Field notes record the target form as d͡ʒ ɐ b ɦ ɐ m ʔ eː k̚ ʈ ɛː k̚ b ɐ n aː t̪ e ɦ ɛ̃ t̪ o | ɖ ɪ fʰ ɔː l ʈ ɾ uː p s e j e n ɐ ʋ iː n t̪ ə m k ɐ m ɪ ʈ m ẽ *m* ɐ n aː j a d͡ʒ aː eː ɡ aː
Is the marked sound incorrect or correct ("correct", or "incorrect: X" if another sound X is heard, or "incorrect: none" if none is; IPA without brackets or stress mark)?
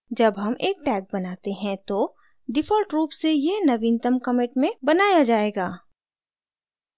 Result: incorrect: b